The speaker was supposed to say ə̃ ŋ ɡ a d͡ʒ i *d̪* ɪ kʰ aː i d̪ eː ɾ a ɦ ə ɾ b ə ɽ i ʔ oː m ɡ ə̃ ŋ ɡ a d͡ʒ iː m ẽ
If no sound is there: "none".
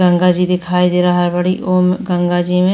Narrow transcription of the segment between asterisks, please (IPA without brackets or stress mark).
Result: d̪